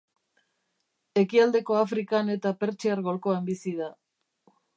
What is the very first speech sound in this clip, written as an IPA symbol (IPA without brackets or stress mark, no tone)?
e̞